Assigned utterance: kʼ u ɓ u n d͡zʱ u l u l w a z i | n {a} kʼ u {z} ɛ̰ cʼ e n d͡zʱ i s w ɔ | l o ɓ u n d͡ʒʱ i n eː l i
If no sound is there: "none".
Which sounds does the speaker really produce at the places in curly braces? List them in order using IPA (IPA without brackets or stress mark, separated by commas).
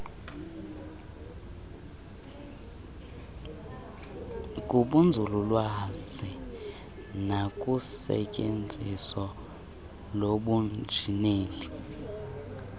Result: a, s